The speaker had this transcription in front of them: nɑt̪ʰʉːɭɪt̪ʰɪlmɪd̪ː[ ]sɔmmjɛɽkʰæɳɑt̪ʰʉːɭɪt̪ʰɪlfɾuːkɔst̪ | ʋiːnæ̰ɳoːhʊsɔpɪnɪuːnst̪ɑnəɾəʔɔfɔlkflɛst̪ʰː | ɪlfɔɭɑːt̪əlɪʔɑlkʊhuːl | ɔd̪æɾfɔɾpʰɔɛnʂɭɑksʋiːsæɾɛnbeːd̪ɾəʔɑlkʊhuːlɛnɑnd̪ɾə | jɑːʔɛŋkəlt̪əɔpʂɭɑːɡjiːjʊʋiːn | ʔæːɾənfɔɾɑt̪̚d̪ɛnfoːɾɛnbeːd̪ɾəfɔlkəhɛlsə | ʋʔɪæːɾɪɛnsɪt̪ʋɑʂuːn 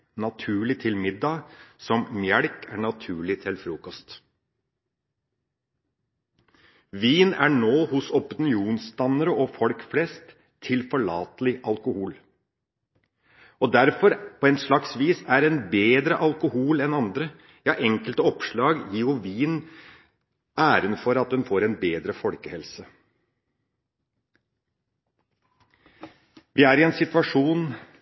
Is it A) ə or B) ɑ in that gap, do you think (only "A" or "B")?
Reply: B